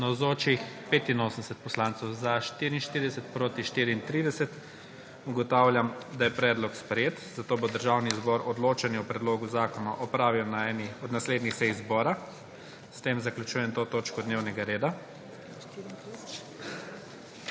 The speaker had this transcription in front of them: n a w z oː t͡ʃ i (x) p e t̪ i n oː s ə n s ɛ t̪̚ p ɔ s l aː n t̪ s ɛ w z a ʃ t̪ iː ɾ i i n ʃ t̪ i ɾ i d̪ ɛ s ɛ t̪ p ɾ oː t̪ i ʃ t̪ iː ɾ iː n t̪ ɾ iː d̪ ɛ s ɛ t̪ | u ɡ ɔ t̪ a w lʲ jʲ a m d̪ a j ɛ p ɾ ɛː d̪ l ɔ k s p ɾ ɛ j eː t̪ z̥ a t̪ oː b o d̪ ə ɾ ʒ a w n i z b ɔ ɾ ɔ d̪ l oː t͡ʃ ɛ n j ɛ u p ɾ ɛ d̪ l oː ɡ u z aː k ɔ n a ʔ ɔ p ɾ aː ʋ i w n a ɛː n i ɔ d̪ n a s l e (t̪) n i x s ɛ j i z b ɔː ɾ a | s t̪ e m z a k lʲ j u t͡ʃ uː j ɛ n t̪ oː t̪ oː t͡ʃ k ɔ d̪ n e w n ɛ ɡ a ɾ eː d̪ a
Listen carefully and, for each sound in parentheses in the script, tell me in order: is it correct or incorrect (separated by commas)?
correct, incorrect